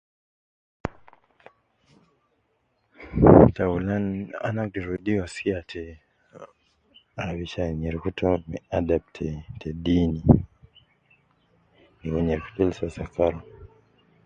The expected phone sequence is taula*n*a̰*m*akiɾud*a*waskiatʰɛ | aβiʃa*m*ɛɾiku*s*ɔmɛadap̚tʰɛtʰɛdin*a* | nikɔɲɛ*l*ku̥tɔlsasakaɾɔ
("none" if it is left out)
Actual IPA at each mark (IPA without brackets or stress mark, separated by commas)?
n, n, i, ɲ, t, i, ɾ